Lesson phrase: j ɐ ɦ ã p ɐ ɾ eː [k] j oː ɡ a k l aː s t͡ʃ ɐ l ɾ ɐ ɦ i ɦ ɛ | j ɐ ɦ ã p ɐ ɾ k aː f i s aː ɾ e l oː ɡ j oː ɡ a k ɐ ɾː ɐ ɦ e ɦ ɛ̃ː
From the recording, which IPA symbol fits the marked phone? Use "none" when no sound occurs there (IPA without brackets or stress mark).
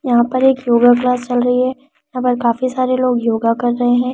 k